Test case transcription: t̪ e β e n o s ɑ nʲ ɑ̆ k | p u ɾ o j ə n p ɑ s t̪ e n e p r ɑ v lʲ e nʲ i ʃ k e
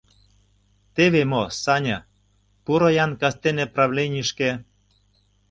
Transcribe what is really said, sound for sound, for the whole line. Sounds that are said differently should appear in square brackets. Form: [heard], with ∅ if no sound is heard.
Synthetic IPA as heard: t̪ e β e [m] o s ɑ nʲ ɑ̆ [∅] | p u ɾ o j [ɑ] n [k] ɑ s t̪ e n e p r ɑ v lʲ e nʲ i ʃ k e